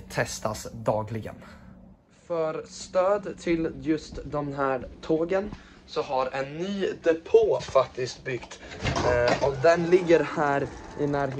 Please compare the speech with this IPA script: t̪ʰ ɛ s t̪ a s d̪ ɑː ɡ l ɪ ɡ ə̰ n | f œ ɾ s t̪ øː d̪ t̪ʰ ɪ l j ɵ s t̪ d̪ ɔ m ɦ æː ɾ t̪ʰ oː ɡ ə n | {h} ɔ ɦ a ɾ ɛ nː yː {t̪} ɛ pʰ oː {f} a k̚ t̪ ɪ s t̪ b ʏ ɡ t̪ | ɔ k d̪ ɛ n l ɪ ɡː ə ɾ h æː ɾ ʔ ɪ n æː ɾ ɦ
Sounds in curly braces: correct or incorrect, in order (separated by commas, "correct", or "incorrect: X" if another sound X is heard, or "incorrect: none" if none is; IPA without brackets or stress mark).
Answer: incorrect: s, incorrect: d̪, correct